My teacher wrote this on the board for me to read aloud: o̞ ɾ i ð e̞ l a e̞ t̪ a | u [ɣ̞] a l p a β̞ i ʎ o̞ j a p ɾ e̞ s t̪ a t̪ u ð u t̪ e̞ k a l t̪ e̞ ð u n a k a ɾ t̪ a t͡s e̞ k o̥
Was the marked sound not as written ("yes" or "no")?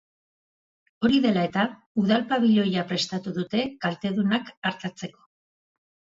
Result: yes